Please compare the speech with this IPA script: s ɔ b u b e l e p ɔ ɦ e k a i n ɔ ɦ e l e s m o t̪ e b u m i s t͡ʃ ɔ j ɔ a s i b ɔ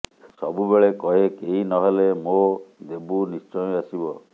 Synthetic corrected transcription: s ɔ b u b e ɭ e k ɔ ɦ e k e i n ɔ ɦ e l e m o d̪ e b u n i s t͡ʃ ɔ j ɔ a s i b ɔ